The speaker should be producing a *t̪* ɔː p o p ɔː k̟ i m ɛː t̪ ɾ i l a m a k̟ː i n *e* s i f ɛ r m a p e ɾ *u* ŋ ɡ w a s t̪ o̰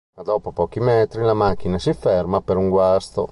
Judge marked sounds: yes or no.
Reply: no, no, yes

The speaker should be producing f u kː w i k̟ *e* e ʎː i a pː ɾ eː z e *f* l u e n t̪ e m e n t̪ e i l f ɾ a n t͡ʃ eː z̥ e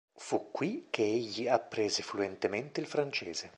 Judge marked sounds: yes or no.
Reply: yes, yes

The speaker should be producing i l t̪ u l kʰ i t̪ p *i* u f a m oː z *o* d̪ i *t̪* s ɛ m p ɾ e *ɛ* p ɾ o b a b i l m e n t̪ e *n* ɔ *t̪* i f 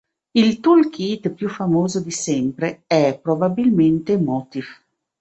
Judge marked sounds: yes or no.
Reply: no, yes, no, yes, no, yes

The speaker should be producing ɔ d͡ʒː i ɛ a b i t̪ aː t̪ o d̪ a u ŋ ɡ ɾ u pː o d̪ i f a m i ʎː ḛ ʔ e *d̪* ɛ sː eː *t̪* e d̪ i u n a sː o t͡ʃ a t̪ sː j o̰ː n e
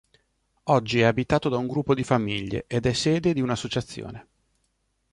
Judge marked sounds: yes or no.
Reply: yes, no

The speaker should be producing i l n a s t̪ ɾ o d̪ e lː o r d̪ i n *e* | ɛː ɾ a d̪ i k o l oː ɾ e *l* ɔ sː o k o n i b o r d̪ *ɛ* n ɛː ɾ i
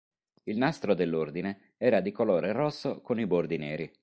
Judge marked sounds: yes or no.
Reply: yes, no, no

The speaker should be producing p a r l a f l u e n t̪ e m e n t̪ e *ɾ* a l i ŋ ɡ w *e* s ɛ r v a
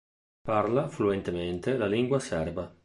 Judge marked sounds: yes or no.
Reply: no, no

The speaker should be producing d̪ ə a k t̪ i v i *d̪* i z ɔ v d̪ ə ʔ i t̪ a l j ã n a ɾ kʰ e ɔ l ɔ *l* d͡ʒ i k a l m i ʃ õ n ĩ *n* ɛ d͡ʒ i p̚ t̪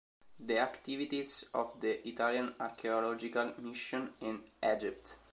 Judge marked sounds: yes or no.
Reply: no, no, yes

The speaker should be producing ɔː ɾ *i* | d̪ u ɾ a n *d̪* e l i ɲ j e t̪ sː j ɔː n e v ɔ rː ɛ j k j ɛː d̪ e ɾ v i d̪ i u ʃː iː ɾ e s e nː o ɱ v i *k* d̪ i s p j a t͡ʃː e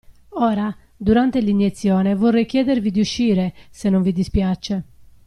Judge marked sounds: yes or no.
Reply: no, no, no

